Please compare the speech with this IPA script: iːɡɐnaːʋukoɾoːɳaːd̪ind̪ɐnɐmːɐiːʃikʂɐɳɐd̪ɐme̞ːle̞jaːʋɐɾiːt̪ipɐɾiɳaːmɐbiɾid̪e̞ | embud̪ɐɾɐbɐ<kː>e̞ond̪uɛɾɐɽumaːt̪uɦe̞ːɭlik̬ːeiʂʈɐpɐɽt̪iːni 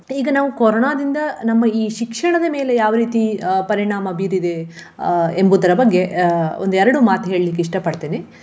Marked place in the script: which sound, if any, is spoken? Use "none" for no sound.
ɡː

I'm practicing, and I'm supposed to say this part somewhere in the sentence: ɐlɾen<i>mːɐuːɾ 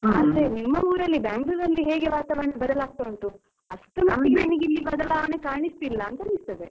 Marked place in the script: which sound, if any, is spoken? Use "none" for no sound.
i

